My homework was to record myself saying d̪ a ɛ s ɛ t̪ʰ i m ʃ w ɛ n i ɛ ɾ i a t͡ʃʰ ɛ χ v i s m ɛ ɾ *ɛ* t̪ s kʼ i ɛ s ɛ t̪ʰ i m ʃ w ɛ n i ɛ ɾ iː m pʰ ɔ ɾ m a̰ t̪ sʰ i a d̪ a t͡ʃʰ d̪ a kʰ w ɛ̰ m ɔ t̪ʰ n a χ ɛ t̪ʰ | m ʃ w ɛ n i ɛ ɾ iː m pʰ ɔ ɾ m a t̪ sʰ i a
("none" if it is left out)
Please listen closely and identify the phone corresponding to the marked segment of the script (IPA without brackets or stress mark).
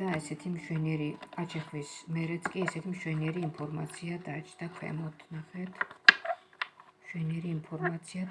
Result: ɛ